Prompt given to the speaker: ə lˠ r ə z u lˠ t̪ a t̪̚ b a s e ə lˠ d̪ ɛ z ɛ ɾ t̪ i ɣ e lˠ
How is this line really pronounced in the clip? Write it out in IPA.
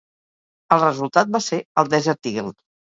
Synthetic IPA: ə lˠ r ə z u lˠ t̪ a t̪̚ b a s e ə lˠ d̪ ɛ z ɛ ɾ t̪ i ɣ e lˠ

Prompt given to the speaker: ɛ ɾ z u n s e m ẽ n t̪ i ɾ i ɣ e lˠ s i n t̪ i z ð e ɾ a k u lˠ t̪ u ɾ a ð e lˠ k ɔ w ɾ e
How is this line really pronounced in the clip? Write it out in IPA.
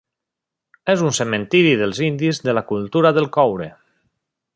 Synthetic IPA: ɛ z u n s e m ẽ n t̪ i ɾ i ð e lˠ z i n d̪ i z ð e l a k u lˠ t̪ u ɾ a ð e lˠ k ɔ w ɾ e

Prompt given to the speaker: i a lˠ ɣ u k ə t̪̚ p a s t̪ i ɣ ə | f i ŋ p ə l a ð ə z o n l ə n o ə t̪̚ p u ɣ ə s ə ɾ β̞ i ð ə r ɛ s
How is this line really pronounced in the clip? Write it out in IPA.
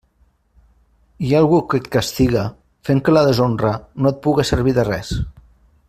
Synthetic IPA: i a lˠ ɣ u k ə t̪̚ k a s t̪ i ɣ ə | f e ŋ k ə l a ð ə z o n r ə n o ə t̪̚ p u ɣ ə s ə ɾ β̞ i ð ə r ɛ s

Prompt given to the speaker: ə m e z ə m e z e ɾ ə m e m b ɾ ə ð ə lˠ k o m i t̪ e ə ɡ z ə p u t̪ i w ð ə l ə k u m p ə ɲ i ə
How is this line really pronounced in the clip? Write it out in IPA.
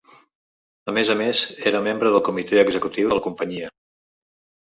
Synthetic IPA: ə m e z ə m e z e ɾ ə m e m b ɾ ə ð ə lˠ k u m i t̪ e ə ɡ z ə k u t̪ i w ð ə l ə k u m p ə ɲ i ə

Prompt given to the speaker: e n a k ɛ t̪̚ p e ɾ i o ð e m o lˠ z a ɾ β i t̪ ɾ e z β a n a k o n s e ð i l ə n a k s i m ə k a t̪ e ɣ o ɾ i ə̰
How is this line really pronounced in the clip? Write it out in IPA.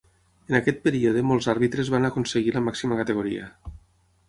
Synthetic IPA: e n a k ɛ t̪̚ p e ɾ i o ð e m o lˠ z a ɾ β i t̪ ɾ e z β a n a k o n s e ɣ i l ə m a k s i m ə k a t̪ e ɣ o ɾ i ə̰

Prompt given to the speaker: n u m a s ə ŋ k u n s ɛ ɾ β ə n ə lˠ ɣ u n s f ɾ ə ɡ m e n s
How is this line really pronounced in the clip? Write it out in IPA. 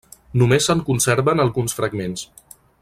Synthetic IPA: n u m e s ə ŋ k u n s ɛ ɾ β ə n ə lˠ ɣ u n s f ɾ ə ɡ m e n s

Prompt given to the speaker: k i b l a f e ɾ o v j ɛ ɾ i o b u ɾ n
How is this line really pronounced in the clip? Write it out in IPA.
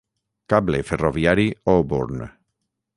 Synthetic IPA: k a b l e f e r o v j a ɾ i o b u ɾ n

